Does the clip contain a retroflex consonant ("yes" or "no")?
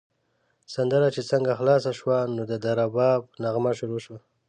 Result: no